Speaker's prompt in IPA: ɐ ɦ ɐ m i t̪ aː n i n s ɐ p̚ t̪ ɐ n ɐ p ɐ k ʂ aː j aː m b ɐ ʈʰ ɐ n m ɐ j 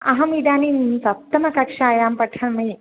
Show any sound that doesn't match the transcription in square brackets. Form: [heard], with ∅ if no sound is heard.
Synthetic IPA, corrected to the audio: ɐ ɦ ɐ m i [d̪] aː n i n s ɐ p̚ t̪ ɐ [m] ɐ [k] ɐ k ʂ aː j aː m [p] ɐ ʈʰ ɐ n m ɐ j

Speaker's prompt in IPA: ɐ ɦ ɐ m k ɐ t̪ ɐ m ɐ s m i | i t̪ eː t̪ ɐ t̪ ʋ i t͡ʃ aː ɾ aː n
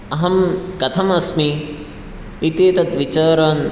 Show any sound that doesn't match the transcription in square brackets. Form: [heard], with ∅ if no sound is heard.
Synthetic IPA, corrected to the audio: ɐ ɦ ɐ m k ɐ [t̪ʰ] ɐ m ɐ s m i | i t̪ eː t̪ ɐ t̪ ʋ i t͡ʃ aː ɾ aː n

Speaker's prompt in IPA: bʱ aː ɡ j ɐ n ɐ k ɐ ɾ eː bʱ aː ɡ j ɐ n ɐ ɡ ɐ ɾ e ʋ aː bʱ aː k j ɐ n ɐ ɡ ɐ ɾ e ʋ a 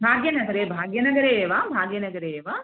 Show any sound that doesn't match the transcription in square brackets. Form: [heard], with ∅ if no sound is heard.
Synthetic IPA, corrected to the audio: bʱ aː ɡ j ɐ n ɐ [ɡ] ɐ ɾ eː bʱ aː ɡ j ɐ n ɐ ɡ ɐ ɾ e ʋ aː bʱ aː [ɡ] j ɐ n ɐ ɡ ɐ ɾ e ʋ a

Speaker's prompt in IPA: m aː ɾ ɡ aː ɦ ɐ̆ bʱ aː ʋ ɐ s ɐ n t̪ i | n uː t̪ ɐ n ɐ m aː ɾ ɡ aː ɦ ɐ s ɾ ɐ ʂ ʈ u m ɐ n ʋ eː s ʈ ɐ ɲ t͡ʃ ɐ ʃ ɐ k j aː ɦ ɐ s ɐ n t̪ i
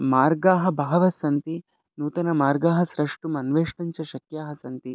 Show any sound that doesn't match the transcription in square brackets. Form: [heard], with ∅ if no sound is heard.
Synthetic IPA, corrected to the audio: m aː ɾ ɡ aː ɦ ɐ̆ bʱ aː ʋ ɐ s ɐ n t̪ i | n uː t̪ ɐ n ɐ m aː ɾ ɡ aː ɦ ɐ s ɾ ɐ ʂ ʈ u m ɐ n ʋ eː [ʂ] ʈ ɐ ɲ t͡ʃ ɐ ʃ ɐ k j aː ɦ ɐ s ɐ n t̪ i

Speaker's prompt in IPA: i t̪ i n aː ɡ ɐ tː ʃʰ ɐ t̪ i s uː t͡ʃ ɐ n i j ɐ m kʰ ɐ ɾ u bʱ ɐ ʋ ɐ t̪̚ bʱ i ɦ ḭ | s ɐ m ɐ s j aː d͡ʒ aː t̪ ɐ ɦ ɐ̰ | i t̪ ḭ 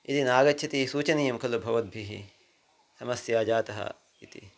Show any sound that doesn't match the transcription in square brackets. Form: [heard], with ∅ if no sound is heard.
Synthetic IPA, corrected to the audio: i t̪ i n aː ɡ ɐ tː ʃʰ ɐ t̪ i s uː t͡ʃ ɐ n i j ɐ m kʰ ɐ [l] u bʱ ɐ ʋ ɐ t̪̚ bʱ i ɦ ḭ | s ɐ m ɐ s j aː d͡ʒ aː t̪ ɐ ɦ ɐ̰ | i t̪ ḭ

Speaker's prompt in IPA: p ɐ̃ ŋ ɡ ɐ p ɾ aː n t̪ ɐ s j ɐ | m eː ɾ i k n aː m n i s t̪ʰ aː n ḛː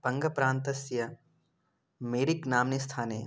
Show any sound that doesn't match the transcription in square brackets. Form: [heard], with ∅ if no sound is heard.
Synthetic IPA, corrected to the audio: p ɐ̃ ŋ ɡ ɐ p ɾ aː n t̪ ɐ s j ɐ | m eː ɾ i k n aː m n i s t̪ʰ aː n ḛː

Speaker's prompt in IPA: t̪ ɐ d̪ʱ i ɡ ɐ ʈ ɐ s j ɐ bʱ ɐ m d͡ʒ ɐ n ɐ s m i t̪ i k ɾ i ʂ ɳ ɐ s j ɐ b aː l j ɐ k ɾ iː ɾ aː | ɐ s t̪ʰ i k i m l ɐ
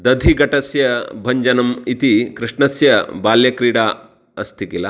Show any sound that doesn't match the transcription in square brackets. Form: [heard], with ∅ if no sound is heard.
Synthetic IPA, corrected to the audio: [d̪] ɐ d̪ʱ i ɡ ɐ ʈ ɐ s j ɐ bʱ ɐ [ɲ] d͡ʒ ɐ n ɐ [∅] m i t̪ i k ɾ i ʂ ɳ ɐ s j ɐ b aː l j ɐ k ɾ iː [ɽ] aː | ɐ s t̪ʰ i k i [∅] l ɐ

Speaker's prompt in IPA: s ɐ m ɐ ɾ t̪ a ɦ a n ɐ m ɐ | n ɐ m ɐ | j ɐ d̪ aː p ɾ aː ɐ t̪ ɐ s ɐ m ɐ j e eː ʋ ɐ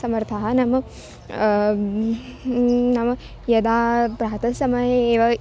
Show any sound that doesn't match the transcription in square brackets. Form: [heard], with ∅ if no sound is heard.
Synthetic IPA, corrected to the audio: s ɐ m ɐ ɾ [t̪ʰ] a ɦ [ɐ] n ɐ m ɐ | n ɐ m ɐ | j ɐ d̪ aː p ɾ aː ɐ t̪ ɐ s ɐ m ɐ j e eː ʋ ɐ

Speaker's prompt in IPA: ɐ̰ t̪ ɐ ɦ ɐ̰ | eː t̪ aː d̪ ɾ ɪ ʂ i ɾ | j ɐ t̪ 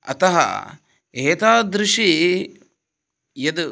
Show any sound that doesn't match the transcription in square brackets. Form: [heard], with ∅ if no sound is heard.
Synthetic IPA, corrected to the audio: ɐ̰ t̪ ɐ ɦ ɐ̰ | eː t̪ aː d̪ ɾ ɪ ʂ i [∅] | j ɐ [d̪]

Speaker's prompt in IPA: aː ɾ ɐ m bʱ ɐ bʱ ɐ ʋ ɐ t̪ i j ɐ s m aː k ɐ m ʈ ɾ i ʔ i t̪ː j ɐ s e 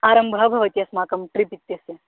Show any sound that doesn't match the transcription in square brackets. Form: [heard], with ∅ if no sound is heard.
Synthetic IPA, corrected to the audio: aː ɾ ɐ m bʱ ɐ bʱ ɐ ʋ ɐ t̪ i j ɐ s m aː k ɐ m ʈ ɾ i [p] i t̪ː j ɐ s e

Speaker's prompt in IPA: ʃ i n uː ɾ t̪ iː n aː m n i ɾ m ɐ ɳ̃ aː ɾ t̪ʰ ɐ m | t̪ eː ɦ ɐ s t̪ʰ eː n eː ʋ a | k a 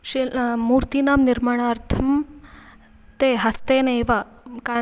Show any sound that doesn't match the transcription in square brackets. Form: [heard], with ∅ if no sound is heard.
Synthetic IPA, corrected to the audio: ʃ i [m] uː ɾ t̪ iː n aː m n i ɾ m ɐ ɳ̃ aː ɾ t̪ʰ ɐ m | t̪ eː ɦ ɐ s [t̪] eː n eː ʋ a | k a

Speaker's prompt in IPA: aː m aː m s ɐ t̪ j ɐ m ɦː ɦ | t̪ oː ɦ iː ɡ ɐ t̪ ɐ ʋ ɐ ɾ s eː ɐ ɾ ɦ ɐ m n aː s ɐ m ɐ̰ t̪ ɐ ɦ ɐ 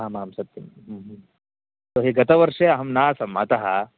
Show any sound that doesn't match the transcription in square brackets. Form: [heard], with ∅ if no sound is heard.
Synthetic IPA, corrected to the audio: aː m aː m s ɐ t̪ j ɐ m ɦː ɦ | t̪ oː ɦ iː ɡ ɐ t̪ ɐ ʋ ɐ ɾ [ʂ] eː ɐ [∅] ɦ ɐ m n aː s ɐ m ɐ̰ t̪ ɐ ɦ ɐ

